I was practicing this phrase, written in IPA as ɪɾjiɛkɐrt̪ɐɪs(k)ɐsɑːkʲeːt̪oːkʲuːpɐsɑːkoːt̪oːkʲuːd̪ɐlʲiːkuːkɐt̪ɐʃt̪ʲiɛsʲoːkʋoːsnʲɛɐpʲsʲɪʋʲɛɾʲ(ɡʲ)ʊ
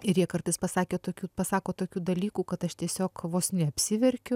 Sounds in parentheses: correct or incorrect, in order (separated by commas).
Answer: incorrect, incorrect